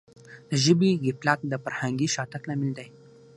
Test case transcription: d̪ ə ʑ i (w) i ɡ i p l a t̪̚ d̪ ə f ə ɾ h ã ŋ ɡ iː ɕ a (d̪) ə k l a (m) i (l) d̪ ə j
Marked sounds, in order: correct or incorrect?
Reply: incorrect: b, incorrect: t̪, correct, correct

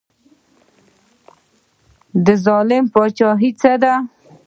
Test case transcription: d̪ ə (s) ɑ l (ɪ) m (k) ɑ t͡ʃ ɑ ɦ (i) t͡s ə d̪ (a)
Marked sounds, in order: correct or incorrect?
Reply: incorrect: z, correct, incorrect: p, correct, correct

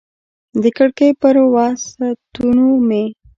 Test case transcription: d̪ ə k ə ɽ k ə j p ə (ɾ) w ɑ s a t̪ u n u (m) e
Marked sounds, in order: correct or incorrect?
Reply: correct, correct

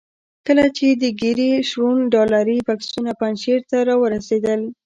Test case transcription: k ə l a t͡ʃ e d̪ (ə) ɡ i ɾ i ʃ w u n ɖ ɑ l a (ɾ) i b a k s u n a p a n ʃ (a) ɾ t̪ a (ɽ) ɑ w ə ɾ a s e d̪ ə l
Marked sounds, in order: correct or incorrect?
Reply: correct, correct, incorrect: e, incorrect: ɾ

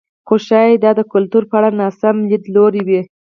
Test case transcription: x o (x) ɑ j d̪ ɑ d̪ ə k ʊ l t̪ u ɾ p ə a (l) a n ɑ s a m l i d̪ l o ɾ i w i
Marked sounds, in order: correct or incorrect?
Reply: incorrect: ʃ, incorrect: ɽ

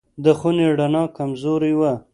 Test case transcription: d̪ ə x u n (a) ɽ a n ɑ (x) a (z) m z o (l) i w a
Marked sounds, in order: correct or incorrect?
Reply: incorrect: e, incorrect: k, incorrect: none, incorrect: ɾ

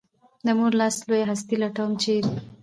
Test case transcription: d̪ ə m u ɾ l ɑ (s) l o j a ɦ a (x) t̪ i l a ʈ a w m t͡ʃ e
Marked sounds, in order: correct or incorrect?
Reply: correct, incorrect: s

